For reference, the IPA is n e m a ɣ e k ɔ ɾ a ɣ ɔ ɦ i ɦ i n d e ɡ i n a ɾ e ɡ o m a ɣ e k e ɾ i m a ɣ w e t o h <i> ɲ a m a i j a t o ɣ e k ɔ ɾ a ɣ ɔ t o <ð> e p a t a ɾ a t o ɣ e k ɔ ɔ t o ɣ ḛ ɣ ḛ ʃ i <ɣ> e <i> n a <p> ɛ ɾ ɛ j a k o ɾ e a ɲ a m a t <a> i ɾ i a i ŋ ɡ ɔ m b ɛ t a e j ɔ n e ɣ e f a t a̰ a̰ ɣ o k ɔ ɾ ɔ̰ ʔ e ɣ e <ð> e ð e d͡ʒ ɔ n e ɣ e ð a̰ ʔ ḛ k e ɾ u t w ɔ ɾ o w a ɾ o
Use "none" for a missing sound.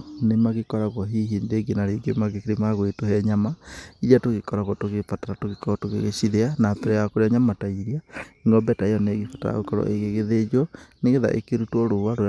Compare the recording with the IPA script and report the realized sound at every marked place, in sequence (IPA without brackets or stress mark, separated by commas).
ɛ, ɣ, ð, a, p, a, ɣ